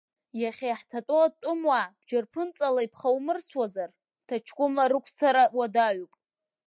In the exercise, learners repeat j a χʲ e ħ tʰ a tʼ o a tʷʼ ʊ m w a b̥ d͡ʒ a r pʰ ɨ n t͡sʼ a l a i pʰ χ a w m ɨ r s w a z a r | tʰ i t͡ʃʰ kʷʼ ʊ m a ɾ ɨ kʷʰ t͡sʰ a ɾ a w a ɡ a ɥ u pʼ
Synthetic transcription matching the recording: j a χʲ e ħ tʰ a tʼ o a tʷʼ ʊ m w a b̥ d͡ʒ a r pʰ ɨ n t͡sʼ a l a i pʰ χ a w m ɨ r s w a z a r | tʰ a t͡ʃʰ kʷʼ ʊ m a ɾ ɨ kʷʰ t͡sʰ a ɾ a w a d a ɥ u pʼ